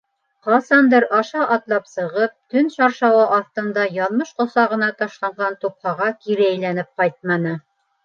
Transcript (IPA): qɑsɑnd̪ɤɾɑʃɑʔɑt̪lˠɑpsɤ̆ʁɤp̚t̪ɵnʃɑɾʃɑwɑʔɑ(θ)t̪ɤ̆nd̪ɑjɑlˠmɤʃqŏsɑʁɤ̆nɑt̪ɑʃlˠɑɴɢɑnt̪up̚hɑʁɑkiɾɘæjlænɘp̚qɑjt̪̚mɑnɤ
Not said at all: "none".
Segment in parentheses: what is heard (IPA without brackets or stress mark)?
θ